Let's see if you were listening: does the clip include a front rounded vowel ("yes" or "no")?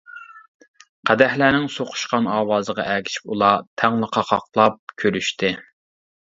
yes